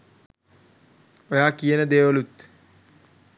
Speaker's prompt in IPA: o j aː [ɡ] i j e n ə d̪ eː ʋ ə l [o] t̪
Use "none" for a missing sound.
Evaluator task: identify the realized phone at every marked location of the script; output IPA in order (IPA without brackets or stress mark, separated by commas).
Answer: k, u